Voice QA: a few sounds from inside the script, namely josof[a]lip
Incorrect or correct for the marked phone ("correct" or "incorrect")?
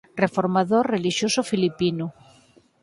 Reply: incorrect